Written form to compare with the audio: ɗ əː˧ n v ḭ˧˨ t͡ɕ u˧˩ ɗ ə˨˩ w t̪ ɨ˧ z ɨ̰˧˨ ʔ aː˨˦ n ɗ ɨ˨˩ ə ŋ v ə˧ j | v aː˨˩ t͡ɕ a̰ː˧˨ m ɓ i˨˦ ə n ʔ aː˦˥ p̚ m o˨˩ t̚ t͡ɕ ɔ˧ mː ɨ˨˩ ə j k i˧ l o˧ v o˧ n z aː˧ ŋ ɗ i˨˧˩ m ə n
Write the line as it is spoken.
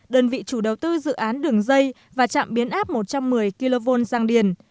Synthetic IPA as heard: ɗ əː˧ n v ḭ˧˨ t͡ɕ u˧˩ ɗ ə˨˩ w t̪ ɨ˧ z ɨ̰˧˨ ʔ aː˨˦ n ɗ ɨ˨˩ ə ŋ z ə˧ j | v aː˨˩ t͡ɕ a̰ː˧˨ m ɓ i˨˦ ə n ʔ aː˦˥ p̚ m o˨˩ t̚ t͡ɕ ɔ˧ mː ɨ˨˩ ə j k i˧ l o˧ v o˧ n z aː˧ ŋ ɗ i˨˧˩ ə n